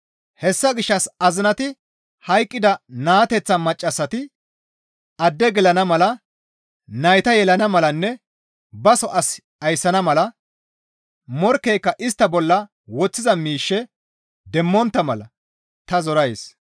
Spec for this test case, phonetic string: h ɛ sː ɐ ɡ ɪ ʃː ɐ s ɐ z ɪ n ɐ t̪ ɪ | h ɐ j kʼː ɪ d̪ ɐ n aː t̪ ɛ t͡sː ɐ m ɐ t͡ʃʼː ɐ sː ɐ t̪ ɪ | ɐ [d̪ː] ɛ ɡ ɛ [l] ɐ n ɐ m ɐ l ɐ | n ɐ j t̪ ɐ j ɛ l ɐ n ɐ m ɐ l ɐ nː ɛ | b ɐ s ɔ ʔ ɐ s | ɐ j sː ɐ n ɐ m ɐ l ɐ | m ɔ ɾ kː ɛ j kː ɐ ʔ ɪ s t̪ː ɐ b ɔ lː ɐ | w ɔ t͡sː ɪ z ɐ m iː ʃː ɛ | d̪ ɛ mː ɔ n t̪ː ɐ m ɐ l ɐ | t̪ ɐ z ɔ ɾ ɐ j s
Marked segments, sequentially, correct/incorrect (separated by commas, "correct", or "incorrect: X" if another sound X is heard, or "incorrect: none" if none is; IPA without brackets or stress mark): correct, correct